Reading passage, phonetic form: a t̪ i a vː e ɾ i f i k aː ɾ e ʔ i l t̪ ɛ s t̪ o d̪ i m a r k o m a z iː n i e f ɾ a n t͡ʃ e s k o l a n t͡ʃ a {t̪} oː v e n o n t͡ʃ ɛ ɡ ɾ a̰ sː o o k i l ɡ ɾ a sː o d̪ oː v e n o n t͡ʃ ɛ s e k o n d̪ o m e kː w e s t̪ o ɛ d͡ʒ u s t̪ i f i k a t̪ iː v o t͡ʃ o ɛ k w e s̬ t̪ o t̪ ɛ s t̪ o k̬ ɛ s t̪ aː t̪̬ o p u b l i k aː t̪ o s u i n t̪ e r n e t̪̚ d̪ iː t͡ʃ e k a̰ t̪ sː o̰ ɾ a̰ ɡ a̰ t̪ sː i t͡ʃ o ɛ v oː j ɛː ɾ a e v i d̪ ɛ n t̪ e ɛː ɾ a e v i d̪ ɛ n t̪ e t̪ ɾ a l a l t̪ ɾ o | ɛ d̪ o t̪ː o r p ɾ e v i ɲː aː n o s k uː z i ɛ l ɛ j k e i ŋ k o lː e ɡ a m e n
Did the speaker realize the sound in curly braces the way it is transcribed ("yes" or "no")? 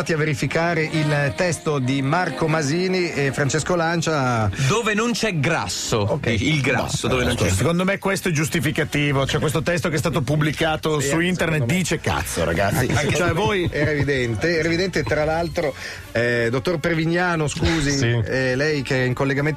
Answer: no